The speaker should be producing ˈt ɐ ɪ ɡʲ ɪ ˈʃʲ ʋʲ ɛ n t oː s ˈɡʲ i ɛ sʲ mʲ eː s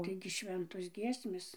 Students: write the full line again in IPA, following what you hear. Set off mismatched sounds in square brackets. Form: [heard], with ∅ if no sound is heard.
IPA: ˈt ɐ ɪ ɡʲ ɪ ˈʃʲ ʋʲ ɛ n t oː s ˈɡʲ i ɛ sʲ mʲ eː s